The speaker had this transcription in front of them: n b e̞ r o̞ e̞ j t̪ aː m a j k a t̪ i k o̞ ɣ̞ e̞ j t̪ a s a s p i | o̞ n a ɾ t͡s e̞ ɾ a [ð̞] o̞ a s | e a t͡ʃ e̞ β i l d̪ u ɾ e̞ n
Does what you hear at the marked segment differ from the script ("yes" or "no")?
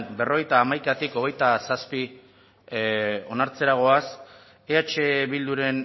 yes